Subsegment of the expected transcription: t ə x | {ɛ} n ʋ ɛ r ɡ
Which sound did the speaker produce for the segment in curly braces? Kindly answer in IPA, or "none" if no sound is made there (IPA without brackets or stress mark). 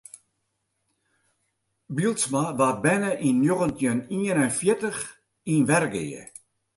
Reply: i